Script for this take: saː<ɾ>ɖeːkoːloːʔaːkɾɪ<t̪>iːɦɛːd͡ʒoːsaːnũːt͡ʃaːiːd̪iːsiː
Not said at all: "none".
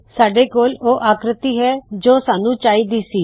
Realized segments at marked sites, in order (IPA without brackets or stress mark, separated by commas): none, t̪